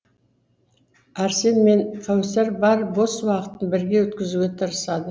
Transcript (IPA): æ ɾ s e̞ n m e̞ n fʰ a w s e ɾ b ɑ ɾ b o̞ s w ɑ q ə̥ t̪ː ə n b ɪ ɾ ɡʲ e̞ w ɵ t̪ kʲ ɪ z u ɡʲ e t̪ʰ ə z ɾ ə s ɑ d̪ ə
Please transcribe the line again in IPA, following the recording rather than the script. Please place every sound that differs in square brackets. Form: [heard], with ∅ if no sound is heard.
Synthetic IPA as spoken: æ ɾ s e̞ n m e̞ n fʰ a w s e ɾ b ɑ ɾ b o̞ s w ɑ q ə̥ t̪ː ə n b ɪ ɾ ɡʲ e̞ w ɵ t̪ kʲ ɪ z u ɡʲ e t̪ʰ ə [∅] ɾ ə s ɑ d̪ ə